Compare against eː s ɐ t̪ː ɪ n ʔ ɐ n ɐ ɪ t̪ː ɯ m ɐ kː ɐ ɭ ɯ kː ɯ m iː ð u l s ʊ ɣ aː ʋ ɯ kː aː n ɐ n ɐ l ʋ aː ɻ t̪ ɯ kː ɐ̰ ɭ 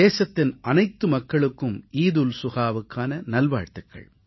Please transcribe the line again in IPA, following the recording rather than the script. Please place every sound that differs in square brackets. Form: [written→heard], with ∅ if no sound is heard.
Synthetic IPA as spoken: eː s ɐ t̪ː ɪ n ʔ ɐ n ɐ ɪ t̪ː ɯ m ɐ kː ɐ ɭ ɯ kː ɯ m iː ð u l s ʊ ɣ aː ʋ ɯ kː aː n ɐ n ɐ l ʋ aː ɻ t̪ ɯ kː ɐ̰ ɭ